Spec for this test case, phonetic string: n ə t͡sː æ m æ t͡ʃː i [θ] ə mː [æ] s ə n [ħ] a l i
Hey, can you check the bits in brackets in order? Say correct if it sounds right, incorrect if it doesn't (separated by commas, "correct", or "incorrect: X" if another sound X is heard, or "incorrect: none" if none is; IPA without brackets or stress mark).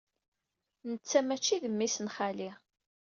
incorrect: ð, incorrect: i, incorrect: χ